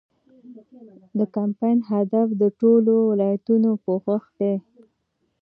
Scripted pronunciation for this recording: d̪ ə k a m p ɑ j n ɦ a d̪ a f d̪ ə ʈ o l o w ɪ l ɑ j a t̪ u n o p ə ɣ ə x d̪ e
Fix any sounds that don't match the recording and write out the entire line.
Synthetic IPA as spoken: d̪ ə k a m p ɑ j n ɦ a d̪ a f d̪ ə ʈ o l o w ɪ l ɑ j a t̪ u n o p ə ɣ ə x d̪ e